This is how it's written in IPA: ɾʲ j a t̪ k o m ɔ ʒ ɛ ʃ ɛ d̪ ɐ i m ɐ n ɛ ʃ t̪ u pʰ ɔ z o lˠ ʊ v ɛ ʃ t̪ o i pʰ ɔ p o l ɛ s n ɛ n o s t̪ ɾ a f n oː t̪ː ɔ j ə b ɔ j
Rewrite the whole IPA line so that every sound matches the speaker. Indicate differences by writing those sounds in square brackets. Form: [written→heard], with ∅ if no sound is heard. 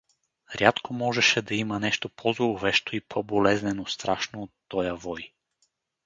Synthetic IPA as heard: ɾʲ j a t̪ k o m ɔ ʒ ɛ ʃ ɛ d̪ ɐ i m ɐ n ɛ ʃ t̪ [u→o] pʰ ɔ z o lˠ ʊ v ɛ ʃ t̪ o i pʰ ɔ [p→b] o l ɛ [s→z] n ɛ n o s t̪ ɾ a [f→ʃ] n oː t̪ː ɔ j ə [b→v] ɔ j